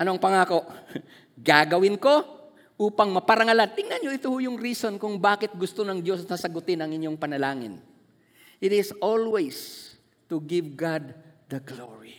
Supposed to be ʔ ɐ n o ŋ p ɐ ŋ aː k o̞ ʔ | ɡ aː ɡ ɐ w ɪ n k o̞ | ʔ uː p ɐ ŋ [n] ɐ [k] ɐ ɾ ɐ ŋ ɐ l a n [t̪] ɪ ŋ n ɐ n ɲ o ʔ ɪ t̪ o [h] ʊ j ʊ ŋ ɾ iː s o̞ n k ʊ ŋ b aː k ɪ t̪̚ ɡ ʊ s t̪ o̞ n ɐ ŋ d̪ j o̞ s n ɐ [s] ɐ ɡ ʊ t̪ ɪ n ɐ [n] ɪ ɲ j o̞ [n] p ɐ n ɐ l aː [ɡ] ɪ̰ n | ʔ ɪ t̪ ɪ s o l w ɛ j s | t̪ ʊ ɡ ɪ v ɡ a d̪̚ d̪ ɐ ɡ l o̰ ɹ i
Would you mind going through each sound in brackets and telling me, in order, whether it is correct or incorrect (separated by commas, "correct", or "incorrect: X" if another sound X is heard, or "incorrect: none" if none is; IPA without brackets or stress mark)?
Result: incorrect: m, incorrect: p, correct, correct, correct, incorrect: ŋ, incorrect: ŋ, incorrect: ŋ